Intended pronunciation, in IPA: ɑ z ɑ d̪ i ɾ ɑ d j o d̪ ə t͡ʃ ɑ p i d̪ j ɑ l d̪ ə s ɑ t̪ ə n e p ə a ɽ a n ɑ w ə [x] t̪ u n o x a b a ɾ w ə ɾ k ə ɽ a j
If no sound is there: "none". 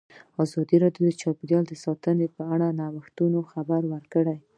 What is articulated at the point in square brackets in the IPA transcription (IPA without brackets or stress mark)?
x